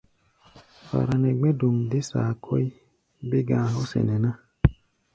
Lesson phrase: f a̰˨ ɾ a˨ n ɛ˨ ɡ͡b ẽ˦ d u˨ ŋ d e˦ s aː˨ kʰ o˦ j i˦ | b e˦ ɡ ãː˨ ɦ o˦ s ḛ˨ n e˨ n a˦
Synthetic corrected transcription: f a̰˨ ɾ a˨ n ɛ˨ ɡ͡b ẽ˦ d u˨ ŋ d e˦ s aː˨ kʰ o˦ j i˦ | b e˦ ɡ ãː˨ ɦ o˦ s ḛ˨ n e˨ n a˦